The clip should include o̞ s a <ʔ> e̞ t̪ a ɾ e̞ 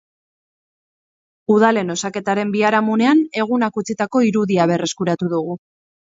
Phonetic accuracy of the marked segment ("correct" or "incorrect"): incorrect